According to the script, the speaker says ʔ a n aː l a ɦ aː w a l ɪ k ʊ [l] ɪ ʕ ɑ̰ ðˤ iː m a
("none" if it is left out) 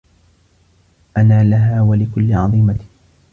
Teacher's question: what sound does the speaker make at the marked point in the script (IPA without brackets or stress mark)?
lː